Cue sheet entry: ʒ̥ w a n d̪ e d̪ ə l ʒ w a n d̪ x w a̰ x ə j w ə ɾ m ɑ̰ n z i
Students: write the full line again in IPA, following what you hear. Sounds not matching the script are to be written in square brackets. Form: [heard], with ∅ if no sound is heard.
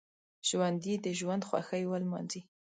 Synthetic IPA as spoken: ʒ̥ w a n d̪ [i] d̪ ə [∅] ʒ w a n d̪ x w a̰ x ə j w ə [l] m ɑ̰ n z i